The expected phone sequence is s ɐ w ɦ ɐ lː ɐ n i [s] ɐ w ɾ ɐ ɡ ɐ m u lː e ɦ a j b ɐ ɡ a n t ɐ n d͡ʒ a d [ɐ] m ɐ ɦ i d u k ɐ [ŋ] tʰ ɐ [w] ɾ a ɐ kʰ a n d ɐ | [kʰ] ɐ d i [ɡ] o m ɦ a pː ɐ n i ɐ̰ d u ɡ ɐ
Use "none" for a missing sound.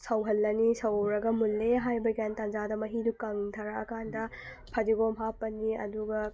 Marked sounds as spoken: s, ɐ, ŋ, none, pʰ, ɡ

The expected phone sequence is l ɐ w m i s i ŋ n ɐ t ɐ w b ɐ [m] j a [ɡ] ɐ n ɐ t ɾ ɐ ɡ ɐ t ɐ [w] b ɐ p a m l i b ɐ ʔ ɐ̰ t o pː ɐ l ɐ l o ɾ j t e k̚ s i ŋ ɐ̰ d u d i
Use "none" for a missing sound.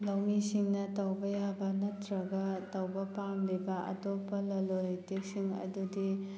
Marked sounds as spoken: none, b, w

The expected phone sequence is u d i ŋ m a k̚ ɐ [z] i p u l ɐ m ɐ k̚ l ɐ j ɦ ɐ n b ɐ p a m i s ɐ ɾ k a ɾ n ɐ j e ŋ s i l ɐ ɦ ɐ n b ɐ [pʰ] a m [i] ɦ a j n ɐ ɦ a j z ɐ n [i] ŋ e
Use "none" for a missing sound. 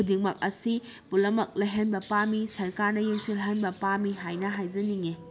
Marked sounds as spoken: s, p, i, i

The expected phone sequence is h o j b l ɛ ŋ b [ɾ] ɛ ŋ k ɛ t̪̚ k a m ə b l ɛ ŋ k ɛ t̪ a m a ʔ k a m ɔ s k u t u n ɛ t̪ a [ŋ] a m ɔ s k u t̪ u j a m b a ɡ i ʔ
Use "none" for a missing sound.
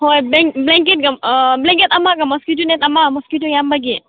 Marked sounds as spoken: l, m

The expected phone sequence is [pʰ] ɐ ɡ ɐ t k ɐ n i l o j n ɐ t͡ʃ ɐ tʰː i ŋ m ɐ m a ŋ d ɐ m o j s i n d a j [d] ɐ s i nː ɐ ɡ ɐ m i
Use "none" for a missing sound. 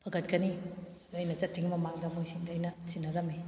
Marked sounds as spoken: pʰ, n

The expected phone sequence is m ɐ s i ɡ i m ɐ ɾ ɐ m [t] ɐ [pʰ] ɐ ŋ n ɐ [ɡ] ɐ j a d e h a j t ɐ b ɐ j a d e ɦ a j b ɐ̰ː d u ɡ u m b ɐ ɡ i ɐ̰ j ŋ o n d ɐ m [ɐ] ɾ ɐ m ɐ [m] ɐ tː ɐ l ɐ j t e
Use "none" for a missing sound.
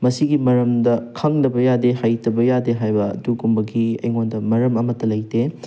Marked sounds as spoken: d, kʰ, b, ɐ, m

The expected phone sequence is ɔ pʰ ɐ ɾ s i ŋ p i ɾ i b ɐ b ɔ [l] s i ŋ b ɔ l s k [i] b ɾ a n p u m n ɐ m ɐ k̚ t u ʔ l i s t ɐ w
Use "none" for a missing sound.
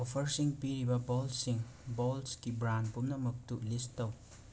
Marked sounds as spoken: l, i

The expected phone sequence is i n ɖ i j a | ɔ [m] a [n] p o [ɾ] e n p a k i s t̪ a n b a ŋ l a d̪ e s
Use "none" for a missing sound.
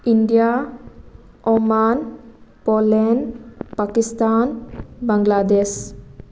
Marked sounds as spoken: m, n, l

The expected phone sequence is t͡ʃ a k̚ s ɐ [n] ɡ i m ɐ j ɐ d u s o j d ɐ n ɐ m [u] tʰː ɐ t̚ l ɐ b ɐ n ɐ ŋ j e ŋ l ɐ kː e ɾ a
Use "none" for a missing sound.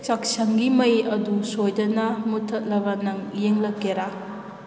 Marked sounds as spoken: ŋ, u

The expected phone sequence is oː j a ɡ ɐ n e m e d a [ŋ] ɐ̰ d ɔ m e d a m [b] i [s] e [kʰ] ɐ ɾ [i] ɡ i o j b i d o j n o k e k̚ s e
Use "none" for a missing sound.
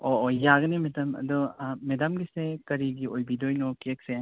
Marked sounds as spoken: m, ɡ, s, k, i

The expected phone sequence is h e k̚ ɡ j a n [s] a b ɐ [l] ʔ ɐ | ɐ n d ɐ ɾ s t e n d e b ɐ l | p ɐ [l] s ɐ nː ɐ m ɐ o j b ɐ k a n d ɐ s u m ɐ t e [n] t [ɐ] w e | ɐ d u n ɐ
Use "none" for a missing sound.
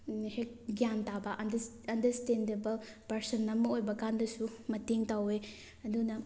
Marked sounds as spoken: t, none, ɾ, ŋ, a

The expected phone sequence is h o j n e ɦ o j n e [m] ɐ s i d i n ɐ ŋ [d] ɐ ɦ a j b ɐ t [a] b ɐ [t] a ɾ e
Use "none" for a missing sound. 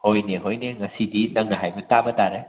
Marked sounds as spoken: ŋ, n, a, t

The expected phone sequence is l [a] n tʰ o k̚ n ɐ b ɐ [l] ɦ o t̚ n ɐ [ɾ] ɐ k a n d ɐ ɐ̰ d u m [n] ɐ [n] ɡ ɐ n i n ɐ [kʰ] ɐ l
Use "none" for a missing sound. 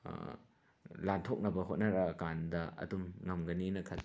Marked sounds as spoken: a, none, ɾ, ŋ, m, kʰ

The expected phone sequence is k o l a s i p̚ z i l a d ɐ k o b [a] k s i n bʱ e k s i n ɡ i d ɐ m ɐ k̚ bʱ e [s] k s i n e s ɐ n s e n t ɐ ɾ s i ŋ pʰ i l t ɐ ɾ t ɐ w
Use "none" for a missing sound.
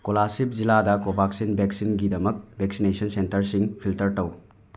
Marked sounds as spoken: a, none

